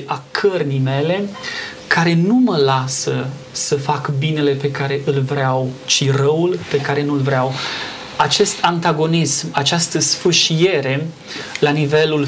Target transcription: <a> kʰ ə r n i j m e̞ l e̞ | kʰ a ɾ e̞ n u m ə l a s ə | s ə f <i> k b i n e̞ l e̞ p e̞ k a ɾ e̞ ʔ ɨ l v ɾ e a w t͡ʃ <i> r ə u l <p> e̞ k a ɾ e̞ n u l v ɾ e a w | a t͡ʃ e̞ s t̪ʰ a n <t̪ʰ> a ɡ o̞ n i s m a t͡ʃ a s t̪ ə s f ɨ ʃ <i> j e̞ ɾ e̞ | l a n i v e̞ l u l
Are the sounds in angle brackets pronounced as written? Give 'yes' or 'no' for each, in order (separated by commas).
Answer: yes, no, yes, yes, no, yes